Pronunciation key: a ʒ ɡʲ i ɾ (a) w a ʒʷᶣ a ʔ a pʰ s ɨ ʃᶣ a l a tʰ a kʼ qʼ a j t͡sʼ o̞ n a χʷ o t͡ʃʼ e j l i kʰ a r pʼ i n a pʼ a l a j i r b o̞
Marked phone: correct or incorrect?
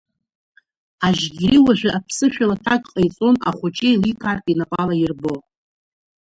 incorrect: i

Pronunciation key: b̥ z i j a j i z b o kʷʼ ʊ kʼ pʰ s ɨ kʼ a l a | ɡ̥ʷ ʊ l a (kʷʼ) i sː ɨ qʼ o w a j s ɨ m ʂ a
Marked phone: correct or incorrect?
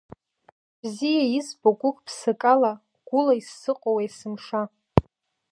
incorrect: none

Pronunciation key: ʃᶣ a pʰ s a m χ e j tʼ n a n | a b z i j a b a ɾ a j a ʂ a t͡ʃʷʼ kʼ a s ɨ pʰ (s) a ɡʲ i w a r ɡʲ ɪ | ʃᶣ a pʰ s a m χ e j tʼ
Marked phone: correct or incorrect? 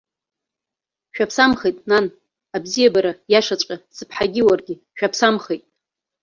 incorrect: ħ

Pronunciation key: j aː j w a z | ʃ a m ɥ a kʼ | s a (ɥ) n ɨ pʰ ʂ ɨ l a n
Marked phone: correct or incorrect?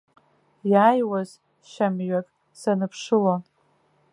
incorrect: none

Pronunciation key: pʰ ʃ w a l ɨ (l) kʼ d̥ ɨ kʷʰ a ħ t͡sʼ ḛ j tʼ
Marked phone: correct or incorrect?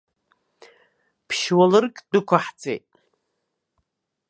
incorrect: r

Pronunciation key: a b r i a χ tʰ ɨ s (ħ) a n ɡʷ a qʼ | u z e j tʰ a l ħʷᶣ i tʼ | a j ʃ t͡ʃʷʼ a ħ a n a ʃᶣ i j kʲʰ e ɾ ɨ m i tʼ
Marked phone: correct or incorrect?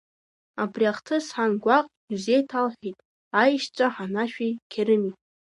correct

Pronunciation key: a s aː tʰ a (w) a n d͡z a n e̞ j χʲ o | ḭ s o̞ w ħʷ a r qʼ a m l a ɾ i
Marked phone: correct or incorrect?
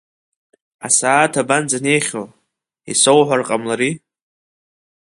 incorrect: b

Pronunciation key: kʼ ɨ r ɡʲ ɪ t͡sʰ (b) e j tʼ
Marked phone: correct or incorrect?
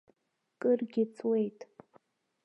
incorrect: w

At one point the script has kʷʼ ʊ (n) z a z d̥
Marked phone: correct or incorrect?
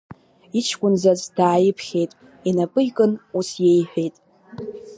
correct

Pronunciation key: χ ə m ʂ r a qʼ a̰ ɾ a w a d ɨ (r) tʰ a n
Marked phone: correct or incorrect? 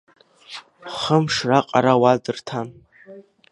correct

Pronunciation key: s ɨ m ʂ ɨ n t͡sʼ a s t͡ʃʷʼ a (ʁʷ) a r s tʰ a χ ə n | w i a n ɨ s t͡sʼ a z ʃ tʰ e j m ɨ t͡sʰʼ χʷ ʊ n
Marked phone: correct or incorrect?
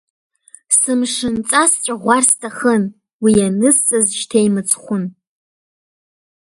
correct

